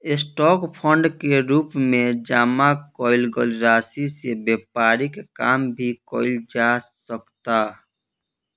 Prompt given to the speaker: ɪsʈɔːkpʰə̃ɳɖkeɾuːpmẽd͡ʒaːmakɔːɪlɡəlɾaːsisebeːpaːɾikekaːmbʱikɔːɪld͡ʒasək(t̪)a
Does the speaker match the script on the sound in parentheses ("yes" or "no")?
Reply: yes